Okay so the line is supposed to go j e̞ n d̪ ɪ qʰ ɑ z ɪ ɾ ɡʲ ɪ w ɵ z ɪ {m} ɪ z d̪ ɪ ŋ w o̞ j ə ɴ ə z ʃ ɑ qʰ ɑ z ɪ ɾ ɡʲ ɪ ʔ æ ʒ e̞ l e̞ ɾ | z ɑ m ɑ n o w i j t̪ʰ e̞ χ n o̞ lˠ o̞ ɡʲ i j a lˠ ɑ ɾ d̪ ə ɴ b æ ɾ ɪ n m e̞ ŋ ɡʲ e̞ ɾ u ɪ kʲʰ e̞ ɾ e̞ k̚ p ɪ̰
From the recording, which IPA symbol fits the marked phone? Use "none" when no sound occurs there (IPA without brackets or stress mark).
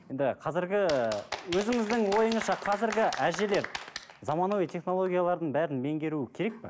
ŋ